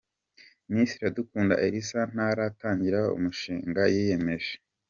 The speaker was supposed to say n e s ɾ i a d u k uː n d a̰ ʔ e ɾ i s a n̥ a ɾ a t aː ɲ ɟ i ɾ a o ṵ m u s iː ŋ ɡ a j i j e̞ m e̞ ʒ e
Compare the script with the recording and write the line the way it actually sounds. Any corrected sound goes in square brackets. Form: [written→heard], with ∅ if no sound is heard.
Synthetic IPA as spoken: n [e→i] s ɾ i a d u k uː n d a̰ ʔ e ɾ i s a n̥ a ɾ a t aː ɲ ɟ i ɾ a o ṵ m u [s→ʃ] iː ŋ ɡ a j i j e̞ m e̞ ʒ e